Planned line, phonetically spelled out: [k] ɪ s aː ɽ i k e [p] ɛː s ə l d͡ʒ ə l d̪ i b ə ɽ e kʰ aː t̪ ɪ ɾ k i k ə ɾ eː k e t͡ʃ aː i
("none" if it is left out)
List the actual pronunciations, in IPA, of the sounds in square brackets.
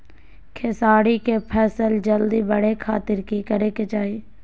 kʰ, pʰ

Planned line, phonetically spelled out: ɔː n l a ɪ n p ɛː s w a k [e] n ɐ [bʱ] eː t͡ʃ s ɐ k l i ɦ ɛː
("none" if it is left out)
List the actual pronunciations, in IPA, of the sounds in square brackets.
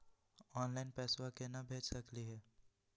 e, bʱ

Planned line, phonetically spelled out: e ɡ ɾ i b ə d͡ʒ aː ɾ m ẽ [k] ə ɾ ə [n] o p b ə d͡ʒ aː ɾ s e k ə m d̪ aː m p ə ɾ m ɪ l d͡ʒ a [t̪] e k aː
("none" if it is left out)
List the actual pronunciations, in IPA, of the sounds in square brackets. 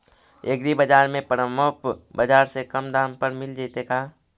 p, m, t̪

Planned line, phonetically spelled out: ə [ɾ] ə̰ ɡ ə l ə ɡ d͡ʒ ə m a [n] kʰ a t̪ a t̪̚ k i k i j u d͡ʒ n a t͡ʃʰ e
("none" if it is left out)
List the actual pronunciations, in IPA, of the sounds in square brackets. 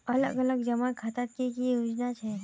l, n

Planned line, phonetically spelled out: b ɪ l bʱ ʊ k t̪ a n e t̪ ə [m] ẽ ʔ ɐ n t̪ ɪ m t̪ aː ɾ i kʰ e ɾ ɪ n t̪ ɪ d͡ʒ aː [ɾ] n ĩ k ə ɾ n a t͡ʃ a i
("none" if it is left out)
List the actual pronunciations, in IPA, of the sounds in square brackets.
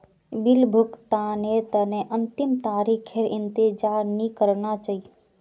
n, ɾ

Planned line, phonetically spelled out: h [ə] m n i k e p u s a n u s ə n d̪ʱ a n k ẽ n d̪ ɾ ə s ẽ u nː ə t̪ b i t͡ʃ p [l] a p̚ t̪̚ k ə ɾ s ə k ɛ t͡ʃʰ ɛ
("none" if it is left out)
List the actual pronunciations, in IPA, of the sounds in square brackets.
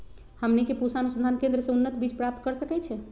ə, ɾ

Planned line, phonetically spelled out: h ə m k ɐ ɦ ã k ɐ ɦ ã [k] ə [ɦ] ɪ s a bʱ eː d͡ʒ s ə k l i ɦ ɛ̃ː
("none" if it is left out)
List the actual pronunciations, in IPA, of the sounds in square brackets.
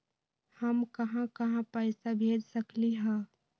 p, none

